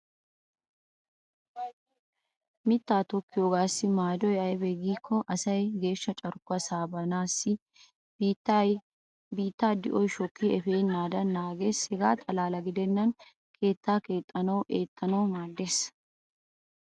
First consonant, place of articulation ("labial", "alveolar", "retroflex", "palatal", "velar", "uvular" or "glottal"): labial